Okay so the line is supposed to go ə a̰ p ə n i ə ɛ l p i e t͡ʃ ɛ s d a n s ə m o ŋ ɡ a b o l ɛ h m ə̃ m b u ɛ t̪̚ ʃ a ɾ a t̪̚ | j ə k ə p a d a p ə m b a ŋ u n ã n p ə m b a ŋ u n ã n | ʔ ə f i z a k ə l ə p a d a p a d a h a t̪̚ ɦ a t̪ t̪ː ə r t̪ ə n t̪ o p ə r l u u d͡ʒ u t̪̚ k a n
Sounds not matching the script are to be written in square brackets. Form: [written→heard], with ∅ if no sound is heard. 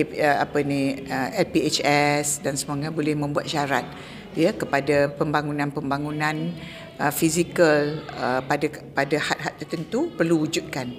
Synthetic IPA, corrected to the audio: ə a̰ p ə n i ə ɛ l p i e t͡ʃ ɛ s d a n s ə m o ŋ ɡ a b o l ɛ h m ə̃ m b u [ɛ→a] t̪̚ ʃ a ɾ a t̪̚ | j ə k ə p a d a p ə m b a ŋ u n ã n p ə m b a ŋ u n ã n | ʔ ə f i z [a→i] k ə l ə p a d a p a d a h a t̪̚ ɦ a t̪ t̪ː ə r t̪ ə n t̪ [o→u] p ə r l u u d͡ʒ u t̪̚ k a n